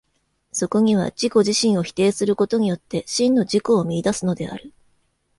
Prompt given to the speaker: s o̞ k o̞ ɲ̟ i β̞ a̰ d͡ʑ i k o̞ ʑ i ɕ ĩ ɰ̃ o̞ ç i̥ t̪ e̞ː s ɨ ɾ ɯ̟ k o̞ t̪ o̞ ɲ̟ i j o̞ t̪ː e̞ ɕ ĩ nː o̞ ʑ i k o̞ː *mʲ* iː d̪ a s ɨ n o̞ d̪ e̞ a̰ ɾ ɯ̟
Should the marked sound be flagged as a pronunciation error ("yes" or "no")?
no